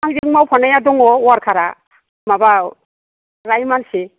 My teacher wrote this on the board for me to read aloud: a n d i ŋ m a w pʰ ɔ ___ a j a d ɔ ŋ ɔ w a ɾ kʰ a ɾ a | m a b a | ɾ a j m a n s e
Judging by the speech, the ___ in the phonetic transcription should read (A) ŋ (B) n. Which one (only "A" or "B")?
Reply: B